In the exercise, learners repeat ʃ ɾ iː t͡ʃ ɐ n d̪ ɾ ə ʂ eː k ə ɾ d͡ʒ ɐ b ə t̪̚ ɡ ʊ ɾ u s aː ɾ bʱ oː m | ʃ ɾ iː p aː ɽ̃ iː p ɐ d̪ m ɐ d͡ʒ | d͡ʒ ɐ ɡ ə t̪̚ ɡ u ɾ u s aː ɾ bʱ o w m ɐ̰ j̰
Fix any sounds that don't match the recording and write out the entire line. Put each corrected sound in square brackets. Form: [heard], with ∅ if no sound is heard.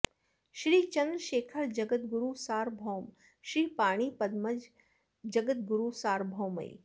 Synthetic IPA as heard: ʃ ɾ iː t͡ʃ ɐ n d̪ ɾ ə [ʃ] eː [kʰ] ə ɾ d͡ʒ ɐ [ɡ] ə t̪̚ ɡ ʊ ɾ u s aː ɾ bʱ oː m | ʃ ɾ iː p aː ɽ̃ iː p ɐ d̪ m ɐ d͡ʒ | d͡ʒ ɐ ɡ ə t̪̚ ɡ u ɾ u s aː ɾ bʱ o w m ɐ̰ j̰